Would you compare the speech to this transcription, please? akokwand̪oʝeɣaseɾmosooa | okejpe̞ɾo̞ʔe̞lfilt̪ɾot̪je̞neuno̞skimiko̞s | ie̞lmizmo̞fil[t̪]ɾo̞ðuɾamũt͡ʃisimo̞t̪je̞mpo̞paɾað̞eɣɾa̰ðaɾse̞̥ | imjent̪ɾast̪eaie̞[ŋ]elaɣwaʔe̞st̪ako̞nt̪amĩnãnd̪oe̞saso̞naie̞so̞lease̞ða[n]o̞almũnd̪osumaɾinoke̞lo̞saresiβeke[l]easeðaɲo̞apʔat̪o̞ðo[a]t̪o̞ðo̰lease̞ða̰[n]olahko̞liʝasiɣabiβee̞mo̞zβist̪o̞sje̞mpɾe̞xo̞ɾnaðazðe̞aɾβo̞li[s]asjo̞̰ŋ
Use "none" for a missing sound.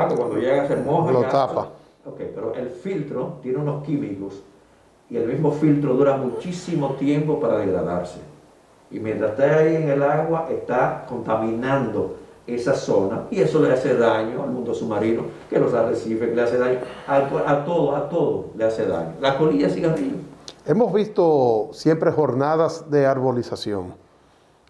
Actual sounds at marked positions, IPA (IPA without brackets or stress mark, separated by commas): t̪, ŋ, ɲ, l, a, ɲ, s